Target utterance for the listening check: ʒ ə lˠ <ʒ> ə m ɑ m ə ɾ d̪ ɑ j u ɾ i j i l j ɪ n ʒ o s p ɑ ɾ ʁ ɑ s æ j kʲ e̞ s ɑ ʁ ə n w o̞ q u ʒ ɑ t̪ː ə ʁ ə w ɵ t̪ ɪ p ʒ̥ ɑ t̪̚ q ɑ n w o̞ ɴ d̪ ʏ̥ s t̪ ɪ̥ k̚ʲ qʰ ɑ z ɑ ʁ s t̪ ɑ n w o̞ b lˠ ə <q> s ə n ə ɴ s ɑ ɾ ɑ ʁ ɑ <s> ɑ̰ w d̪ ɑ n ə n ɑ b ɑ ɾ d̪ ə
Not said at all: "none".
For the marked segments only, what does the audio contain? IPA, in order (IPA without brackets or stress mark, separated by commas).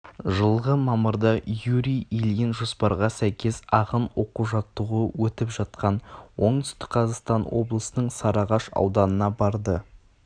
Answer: ʁ, none, ʃ